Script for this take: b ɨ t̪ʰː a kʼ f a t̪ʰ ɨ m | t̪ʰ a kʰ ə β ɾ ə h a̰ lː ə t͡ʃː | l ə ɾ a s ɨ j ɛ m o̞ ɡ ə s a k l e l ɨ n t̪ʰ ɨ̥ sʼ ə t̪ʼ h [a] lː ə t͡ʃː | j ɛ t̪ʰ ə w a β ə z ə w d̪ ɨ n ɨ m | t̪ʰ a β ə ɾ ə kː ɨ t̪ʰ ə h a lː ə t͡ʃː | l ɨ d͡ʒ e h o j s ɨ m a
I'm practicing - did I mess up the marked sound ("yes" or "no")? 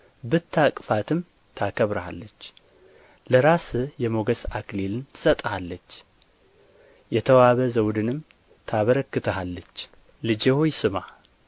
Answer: no